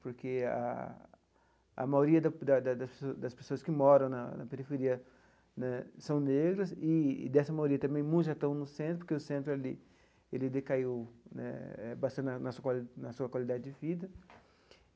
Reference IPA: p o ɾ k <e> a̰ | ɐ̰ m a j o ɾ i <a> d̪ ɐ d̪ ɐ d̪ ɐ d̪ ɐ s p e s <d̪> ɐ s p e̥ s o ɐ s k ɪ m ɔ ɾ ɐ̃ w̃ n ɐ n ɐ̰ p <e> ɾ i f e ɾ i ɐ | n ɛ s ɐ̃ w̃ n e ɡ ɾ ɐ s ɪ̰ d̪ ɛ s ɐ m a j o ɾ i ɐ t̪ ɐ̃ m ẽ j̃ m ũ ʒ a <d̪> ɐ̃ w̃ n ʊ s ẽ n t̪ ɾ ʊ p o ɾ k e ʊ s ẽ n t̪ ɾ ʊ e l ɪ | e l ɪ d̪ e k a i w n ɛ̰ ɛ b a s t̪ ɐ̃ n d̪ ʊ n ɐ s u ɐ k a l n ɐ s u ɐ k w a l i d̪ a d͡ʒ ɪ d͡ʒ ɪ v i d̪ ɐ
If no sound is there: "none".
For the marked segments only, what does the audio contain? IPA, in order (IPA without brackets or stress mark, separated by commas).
e, ɐ, d̪, e, t̪